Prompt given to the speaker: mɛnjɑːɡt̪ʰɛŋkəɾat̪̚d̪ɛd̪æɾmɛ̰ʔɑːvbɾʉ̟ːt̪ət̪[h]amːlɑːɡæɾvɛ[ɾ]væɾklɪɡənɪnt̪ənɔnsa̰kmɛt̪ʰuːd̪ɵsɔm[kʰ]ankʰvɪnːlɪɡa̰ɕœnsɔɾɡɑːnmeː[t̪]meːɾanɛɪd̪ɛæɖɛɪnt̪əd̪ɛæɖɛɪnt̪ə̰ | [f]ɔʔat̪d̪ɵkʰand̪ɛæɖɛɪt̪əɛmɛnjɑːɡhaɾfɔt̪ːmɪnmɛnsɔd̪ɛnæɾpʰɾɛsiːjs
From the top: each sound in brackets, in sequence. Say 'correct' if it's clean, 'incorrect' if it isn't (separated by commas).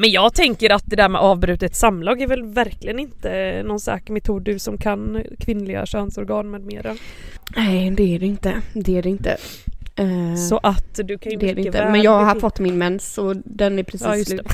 incorrect, incorrect, correct, incorrect, incorrect